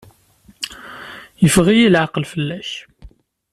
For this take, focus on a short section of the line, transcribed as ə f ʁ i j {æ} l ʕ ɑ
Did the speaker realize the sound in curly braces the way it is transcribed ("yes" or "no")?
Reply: no